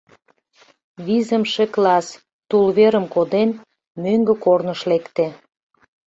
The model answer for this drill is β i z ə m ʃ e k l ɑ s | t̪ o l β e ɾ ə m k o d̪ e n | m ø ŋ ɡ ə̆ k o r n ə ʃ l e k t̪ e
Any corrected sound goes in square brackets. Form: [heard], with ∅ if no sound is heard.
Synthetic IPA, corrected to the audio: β i z ə m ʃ e k l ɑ s | t̪ [u] l β e ɾ ə m k o d̪ e n | m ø ŋ ɡ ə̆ k o r n ə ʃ l e k t̪ e

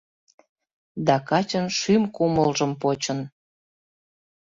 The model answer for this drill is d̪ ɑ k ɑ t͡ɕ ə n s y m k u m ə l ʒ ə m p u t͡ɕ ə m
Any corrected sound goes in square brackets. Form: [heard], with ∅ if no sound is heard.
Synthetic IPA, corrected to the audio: d̪ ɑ k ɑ t͡ɕ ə n [ʃ] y m k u m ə l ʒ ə m p [o] t͡ɕ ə [n]

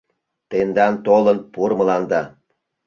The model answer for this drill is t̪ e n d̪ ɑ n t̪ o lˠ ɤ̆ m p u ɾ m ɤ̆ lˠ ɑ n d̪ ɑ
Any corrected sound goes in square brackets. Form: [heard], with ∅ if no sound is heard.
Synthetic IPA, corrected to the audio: t̪ e n d̪ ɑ n t̪ o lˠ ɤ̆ [n] p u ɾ m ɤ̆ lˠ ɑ n d̪ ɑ

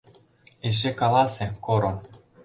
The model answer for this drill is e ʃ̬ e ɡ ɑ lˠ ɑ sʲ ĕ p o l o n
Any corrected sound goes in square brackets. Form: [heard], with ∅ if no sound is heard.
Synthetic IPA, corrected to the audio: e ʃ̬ e [k] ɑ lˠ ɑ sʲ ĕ [k] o [ɾ] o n

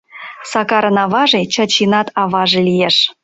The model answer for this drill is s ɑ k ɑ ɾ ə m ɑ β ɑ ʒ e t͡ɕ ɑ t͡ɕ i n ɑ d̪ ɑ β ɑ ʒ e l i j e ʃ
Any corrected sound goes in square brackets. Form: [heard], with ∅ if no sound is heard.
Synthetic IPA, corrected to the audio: s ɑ k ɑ ɾ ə [n] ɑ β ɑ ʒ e t͡ɕ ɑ t͡ɕ i n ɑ [t̪] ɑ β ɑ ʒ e l i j e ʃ

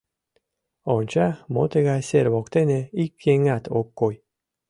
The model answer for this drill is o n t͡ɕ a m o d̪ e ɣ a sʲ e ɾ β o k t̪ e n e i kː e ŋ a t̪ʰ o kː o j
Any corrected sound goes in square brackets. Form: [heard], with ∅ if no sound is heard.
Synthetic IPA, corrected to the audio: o n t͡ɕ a m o [t̪] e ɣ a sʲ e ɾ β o k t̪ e n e i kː e ŋ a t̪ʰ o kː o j

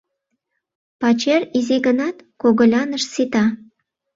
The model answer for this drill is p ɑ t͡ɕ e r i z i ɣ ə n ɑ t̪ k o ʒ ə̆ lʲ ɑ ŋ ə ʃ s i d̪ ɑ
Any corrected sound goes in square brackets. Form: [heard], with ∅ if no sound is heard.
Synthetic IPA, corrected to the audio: p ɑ t͡ɕ e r i z i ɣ ə n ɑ t̪ k o [ɣ] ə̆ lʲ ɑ [n] ə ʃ s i [t̪] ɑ

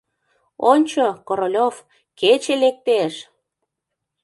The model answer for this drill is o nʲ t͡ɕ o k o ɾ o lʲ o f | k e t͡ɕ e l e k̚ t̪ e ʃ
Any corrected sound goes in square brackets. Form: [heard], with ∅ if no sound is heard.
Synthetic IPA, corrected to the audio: o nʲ t͡ɕ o k o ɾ o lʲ o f | k e t͡ɕ e l e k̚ t̪ e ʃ

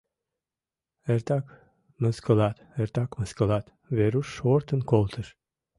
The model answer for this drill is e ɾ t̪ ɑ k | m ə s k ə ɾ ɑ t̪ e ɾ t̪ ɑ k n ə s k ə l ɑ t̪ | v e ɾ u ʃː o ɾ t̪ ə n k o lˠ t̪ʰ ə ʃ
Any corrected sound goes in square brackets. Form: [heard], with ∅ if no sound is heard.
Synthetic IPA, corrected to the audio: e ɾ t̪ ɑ k | m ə s k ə [l] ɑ t̪ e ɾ t̪ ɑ k [m] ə s k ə l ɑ t̪ | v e ɾ u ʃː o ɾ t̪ ə n k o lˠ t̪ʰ ə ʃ

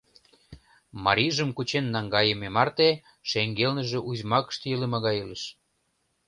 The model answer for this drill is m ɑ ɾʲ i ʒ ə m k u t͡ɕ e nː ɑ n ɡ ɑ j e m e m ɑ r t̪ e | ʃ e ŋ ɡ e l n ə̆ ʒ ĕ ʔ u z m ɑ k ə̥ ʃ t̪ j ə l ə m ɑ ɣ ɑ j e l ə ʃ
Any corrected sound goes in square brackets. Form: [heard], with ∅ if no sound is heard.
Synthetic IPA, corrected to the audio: m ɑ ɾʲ i ʒ ə m k u t͡ɕ e nː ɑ [ŋ] ɡ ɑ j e m e m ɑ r t̪ e | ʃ e ŋ ɡ e l n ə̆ ʒ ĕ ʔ u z m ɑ k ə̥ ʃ t̪ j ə l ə m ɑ ɣ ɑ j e l ə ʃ

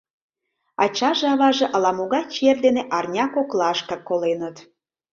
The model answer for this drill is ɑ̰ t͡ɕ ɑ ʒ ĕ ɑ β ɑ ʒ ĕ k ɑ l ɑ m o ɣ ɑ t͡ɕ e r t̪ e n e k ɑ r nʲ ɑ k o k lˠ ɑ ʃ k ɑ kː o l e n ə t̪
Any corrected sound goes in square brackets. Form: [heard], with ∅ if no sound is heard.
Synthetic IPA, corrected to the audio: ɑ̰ t͡ɕ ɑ ʒ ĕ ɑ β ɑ ʒ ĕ [ʔ] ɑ l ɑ m o ɣ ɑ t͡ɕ e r [d̪] e n e [ʔ] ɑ r nʲ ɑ k o k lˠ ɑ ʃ k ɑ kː o l e n ə t̪

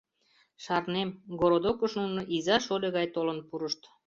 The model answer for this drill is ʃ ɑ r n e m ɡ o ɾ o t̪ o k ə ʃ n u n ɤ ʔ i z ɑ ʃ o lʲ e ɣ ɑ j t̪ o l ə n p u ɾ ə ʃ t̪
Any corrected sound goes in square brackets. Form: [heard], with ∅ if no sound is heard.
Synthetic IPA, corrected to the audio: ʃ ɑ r n e m ɡ o ɾ o [d̪] o k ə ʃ n u n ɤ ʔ i z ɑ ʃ o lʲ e ɣ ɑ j t̪ o l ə n p u ɾ ə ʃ t̪

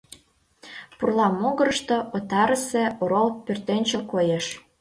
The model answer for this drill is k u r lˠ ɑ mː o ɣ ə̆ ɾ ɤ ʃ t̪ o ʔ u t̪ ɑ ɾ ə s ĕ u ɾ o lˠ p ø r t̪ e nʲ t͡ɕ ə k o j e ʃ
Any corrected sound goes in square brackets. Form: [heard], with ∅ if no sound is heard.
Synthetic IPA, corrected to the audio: [p] u r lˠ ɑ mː o ɣ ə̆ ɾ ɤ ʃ t̪ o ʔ [o] t̪ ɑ ɾ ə s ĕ [o] ɾ o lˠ p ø r t̪ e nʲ t͡ɕ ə k o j e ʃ

